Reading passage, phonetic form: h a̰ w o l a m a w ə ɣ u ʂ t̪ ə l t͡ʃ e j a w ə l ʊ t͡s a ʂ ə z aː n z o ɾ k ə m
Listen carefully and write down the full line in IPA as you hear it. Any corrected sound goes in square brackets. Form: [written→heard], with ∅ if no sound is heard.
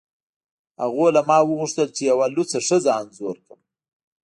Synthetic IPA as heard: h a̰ [w→ɣ] o l a m [a→ɑ] w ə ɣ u ʂ t̪ ə l t͡ʃ e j a w [ə→a] l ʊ t͡s a ʂ ə z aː n z o ɾ k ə m